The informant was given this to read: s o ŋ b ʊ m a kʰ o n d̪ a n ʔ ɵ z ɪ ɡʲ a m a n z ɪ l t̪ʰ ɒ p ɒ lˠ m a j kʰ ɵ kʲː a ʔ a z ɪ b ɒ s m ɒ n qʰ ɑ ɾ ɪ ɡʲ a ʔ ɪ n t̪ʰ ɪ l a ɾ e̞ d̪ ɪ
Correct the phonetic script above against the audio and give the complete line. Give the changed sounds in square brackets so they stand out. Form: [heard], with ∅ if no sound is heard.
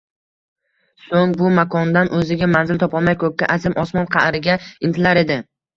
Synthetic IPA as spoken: s o ŋ b ʊ m a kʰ [ɒ] n d̪ a n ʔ ɵ z ɪ ɡʲ a m a n z ɪ l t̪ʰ ɒ p ɒ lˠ m a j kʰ ɵ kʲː a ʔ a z ɪ [m] ɒ s m ɒ n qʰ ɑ ɾ ɪ ɡʲ a [∅] ɪ n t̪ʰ ɪ l a ɾ e̞ d̪ ɪ